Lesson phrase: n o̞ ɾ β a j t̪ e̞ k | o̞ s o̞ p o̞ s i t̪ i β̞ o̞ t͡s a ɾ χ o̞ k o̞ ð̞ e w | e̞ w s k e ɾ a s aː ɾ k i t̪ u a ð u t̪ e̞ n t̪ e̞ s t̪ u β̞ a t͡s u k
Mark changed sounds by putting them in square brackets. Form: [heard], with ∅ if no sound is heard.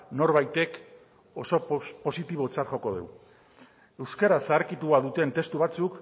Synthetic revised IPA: n o̞ ɾ β a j t̪ e̞ k | o̞ s o̞ p o̞ s i t̪ i β̞ o̞ t͡s a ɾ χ o̞ k o̞ ð̞ e w | e̞ w s k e ɾ a s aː ɾ k i t̪ u a ð u t̪ e̞ n t̪ e̞ s t̪ u β̞ a t͡s u k